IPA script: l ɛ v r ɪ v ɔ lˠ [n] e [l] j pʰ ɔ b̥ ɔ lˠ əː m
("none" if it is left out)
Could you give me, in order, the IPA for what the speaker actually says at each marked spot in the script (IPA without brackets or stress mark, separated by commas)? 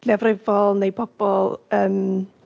n, none